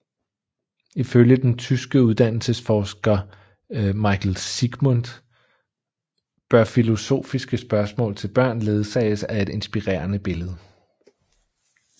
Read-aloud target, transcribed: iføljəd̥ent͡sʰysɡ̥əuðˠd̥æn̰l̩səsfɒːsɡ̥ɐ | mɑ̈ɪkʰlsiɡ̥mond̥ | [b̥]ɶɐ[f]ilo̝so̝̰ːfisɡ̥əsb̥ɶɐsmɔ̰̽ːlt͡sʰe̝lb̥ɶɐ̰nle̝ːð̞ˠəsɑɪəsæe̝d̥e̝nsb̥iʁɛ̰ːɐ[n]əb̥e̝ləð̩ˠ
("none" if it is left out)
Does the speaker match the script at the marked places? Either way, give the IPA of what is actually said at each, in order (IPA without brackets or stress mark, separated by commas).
b̥, f, n